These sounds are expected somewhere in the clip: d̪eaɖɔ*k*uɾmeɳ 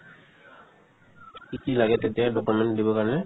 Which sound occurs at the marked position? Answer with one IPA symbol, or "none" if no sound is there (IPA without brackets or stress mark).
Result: k